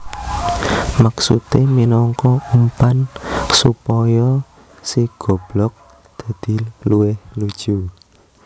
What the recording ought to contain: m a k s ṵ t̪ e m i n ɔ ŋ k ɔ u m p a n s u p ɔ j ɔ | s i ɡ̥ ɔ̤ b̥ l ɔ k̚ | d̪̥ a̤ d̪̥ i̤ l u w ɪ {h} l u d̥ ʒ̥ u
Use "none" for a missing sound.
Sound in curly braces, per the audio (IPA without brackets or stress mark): h